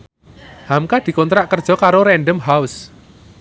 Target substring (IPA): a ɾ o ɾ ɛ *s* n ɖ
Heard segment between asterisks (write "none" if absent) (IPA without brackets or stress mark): none